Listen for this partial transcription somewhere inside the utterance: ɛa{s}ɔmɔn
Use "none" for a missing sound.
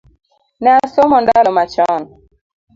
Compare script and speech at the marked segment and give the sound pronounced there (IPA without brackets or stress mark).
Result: s